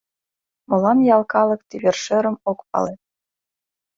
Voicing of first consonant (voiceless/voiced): voiced